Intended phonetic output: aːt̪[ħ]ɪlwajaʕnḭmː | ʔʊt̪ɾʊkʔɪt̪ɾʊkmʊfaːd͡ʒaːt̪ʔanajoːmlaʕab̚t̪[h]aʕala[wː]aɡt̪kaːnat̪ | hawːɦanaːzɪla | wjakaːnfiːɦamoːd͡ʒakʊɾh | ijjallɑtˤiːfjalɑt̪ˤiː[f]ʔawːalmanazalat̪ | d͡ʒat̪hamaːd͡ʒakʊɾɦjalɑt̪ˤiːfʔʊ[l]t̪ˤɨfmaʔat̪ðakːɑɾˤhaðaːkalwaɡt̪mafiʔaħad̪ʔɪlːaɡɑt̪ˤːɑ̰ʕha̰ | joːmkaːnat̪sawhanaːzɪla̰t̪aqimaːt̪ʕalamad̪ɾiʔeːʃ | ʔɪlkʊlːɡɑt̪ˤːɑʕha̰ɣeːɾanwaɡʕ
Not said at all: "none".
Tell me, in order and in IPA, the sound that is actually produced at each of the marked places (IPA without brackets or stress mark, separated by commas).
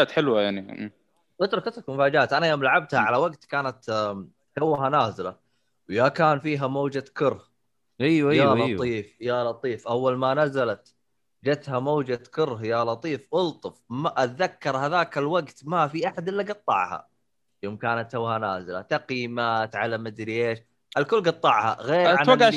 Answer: ħ, h, w, f, l